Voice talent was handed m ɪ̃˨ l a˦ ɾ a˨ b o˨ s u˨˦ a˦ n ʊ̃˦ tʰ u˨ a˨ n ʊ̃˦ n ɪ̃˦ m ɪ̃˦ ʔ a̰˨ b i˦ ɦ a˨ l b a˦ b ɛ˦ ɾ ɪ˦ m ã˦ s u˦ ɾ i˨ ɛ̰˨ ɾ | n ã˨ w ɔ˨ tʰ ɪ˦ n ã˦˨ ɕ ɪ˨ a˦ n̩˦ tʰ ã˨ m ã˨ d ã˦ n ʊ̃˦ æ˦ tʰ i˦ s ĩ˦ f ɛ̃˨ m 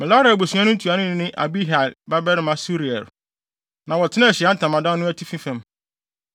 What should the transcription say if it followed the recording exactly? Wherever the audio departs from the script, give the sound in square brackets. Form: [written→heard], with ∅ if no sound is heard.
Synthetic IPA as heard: m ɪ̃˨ l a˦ ɾ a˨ b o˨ s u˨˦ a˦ n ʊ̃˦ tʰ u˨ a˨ n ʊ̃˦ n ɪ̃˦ [m→n] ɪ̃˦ ʔ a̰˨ b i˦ ɦ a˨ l b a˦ b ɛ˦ ɾ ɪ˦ m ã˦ s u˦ ɾ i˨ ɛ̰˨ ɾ | n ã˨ w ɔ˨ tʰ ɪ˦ n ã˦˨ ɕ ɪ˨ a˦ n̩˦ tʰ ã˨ m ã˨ d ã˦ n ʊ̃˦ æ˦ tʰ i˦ [s→f] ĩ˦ f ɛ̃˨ m